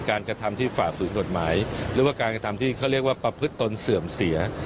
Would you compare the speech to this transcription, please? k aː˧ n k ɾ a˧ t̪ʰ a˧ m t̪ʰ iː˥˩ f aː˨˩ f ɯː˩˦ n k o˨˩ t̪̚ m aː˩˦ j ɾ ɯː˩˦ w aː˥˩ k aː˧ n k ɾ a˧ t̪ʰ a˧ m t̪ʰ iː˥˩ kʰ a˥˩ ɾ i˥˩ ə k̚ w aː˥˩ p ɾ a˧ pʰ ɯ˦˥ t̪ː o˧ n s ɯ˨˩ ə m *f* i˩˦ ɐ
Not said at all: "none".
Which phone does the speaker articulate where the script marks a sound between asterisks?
s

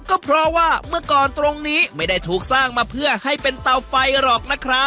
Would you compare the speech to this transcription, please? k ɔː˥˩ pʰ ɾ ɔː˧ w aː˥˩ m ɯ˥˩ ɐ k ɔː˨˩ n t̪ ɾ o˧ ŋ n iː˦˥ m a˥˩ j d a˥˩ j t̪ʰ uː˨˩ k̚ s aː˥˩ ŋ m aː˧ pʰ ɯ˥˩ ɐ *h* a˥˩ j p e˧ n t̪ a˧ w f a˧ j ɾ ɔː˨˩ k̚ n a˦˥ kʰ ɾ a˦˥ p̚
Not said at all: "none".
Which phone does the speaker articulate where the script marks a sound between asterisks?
h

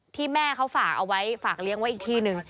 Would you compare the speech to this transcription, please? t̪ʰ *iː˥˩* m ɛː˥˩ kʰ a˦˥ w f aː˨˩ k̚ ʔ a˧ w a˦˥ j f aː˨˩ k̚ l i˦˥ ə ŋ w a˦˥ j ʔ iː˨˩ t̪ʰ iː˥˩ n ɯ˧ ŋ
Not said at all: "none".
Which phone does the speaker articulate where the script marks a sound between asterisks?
iː˥˩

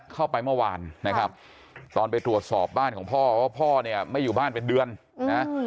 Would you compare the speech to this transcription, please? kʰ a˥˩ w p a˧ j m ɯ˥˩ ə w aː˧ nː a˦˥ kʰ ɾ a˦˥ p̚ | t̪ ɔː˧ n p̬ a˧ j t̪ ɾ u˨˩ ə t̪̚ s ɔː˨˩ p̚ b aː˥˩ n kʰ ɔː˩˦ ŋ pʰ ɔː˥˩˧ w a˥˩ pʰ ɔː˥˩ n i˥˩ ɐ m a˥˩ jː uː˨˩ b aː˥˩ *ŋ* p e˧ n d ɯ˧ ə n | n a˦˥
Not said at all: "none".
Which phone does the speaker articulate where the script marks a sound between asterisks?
n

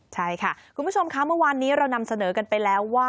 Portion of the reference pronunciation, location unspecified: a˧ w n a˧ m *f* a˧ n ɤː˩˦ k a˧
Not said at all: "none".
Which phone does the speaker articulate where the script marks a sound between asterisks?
s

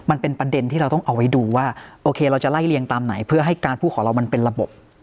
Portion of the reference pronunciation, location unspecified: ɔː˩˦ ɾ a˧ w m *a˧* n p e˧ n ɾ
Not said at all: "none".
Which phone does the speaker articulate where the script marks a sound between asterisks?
a˧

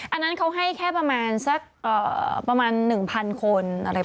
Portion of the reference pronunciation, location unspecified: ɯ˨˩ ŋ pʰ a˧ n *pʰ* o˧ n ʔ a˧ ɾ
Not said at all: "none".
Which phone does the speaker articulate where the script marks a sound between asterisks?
kʰ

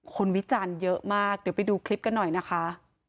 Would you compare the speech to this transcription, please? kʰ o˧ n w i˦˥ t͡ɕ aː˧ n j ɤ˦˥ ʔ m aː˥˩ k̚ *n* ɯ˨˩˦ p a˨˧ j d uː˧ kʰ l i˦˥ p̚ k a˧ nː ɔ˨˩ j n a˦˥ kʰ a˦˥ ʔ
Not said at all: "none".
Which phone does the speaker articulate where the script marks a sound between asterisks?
d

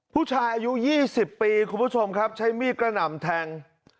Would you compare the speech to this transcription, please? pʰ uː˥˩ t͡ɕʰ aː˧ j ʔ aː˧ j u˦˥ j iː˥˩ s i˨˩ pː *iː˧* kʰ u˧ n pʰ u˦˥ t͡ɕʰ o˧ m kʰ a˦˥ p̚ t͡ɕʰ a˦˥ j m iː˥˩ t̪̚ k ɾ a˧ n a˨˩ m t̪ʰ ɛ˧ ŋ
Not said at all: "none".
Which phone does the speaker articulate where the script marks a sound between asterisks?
iː˧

